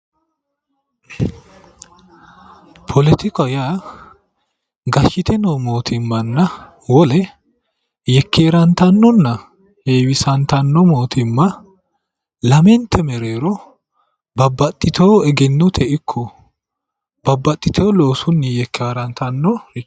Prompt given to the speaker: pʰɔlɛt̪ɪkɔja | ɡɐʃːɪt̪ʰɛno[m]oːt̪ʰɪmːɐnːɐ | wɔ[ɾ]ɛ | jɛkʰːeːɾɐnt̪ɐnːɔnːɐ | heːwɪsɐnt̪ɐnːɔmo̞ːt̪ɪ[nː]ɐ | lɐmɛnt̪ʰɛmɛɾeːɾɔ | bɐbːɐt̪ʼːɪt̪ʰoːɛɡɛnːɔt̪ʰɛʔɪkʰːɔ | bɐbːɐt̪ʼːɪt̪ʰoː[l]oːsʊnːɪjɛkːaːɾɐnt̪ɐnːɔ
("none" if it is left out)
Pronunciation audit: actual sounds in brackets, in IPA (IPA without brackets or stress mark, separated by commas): m, l, mː, l